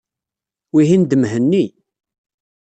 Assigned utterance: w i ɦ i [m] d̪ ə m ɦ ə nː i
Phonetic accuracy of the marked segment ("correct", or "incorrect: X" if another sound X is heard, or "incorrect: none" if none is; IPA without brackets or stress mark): incorrect: n